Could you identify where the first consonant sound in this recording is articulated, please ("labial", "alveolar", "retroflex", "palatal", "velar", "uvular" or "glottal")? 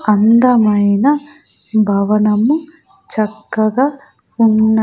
alveolar